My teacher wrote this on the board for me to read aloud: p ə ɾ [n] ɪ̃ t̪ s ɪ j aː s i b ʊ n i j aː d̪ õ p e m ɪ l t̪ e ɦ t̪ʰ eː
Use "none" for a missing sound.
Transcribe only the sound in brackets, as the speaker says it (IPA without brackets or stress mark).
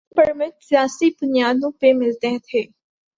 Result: m